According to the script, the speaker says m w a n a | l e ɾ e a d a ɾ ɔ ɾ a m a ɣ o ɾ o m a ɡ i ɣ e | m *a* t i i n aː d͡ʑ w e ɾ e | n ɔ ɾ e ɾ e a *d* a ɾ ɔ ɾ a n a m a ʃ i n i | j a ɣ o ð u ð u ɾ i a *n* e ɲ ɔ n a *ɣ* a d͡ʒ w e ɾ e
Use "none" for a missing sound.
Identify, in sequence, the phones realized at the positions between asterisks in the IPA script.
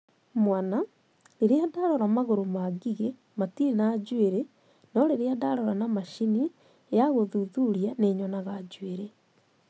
a, d, n, ɣ

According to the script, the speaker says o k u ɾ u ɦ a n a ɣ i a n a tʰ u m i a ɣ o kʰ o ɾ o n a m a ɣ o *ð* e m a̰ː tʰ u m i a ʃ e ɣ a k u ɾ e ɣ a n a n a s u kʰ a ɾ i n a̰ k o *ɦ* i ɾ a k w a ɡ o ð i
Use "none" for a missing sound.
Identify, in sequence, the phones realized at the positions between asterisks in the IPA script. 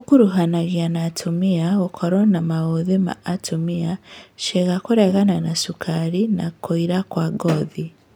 ð, none

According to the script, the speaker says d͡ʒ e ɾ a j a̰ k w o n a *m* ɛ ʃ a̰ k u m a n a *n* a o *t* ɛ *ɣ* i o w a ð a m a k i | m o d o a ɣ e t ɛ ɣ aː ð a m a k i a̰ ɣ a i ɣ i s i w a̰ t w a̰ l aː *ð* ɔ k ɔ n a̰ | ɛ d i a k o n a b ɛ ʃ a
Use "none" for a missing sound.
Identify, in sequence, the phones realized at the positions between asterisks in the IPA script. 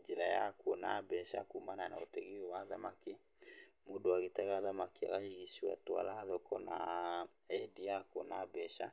b, n, t, ɣ, ð

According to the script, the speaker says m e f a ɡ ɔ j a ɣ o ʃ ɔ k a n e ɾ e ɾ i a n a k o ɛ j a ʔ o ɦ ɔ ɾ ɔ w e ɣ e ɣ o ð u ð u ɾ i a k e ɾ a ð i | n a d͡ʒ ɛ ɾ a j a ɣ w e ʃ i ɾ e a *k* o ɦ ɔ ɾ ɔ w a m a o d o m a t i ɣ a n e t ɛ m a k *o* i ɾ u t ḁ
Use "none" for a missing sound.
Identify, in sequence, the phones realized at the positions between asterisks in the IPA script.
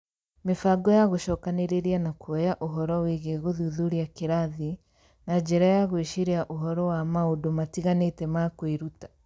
ʔ, o

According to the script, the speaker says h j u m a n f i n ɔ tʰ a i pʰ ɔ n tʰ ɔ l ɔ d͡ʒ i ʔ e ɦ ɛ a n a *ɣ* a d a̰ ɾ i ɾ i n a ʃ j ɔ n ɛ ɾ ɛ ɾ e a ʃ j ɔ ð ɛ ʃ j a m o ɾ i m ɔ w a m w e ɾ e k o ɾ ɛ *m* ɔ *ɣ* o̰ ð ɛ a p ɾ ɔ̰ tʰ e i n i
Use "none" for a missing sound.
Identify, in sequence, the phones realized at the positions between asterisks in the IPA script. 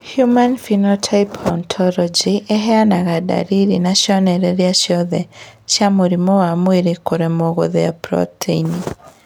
ɣ, m, ɣ

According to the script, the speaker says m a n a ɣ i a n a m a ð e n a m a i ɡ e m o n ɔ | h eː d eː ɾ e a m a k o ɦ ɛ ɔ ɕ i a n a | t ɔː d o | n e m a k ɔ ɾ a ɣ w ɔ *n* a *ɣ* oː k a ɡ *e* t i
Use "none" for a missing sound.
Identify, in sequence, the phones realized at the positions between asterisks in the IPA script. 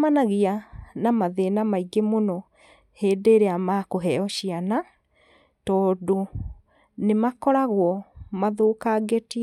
m, ð, e

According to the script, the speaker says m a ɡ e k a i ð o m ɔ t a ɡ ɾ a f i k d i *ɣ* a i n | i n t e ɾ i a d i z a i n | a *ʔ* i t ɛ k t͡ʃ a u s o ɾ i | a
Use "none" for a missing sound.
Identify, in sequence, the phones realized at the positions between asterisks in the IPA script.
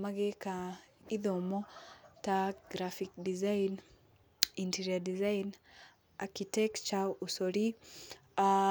z, k

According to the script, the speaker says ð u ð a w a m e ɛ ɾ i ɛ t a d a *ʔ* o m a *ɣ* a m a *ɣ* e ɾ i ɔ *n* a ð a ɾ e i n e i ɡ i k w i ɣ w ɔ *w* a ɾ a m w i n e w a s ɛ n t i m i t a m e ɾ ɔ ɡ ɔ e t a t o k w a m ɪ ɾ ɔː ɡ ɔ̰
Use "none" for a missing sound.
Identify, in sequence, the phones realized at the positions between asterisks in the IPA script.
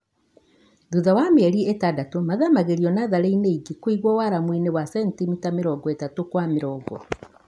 t, ð, ɣ, n, w

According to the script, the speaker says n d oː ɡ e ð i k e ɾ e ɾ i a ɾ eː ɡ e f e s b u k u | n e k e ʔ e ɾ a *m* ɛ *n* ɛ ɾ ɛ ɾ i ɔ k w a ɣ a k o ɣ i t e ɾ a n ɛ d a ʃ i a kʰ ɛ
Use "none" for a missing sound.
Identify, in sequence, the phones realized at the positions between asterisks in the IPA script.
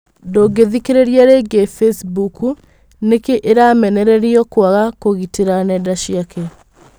m, n

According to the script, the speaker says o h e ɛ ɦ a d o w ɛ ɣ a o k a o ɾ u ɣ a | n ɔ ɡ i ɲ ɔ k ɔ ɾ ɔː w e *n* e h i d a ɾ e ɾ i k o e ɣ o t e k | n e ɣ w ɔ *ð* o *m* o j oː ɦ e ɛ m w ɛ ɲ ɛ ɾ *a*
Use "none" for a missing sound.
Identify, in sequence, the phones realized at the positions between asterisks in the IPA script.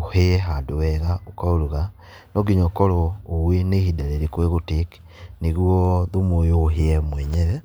n, ð, m, ɛ

